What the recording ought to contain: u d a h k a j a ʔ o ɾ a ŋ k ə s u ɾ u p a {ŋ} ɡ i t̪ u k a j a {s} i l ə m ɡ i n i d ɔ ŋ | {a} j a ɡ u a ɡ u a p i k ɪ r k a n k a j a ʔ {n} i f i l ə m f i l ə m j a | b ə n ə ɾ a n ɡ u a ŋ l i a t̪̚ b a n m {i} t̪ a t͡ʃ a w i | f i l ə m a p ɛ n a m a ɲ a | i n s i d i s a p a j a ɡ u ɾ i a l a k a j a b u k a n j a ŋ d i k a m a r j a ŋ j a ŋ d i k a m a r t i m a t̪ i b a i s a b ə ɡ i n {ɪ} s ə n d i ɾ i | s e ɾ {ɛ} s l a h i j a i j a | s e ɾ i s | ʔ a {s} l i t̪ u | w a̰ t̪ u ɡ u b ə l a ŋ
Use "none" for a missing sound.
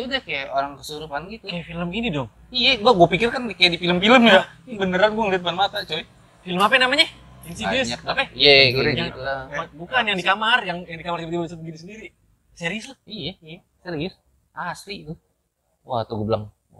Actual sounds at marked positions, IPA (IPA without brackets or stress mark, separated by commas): n, f, i, d, a, i, i, s